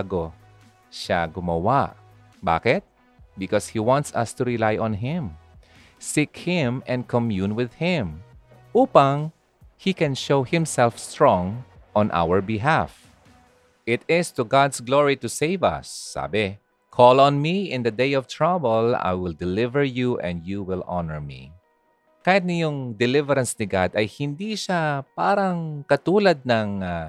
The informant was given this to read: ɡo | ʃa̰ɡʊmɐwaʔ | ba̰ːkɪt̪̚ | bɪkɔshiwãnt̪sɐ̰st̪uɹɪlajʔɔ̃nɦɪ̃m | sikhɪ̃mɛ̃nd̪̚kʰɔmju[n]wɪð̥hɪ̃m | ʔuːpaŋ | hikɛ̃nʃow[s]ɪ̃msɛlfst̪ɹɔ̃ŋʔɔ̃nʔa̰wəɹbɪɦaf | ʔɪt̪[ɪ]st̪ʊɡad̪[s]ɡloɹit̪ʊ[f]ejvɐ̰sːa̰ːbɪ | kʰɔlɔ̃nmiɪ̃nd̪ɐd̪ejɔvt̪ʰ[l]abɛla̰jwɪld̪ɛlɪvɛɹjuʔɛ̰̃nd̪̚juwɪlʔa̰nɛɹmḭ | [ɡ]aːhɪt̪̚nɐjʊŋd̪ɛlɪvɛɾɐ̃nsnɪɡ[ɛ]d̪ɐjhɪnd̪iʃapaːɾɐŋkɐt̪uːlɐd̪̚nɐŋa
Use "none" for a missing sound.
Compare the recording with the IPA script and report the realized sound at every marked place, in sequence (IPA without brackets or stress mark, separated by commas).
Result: n, h, ɪ, s, s, ɹ, k, a